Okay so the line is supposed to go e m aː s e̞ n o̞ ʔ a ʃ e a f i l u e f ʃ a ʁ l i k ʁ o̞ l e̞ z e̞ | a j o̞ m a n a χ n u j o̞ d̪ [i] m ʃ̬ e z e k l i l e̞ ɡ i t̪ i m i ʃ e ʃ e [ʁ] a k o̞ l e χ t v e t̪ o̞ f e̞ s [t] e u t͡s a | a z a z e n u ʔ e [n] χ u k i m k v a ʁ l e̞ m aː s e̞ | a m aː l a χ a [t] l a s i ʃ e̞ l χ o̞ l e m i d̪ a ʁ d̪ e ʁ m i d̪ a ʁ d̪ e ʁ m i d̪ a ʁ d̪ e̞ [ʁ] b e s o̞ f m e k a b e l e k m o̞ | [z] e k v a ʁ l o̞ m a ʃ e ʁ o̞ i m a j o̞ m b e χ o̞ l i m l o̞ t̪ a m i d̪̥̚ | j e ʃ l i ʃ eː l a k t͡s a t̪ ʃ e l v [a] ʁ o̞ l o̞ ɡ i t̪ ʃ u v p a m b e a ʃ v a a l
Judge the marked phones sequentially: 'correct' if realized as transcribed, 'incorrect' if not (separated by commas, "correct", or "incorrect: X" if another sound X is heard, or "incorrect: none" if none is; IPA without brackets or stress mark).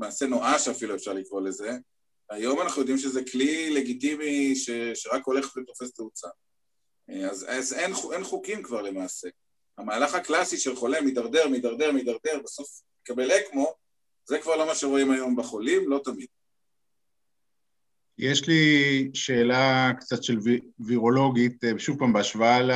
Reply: correct, correct, correct, correct, incorrect: k, correct, correct, incorrect: i